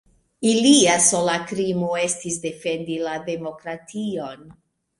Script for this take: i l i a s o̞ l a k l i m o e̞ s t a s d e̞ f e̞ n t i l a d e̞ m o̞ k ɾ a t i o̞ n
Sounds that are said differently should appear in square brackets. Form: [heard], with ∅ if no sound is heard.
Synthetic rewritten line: i l i a s o̞ l a k [ɾ] i m o e̞ s t [i] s d e̞ f e̞ n [d] i l a d e̞ m o̞ k ɾ a t i o̞ n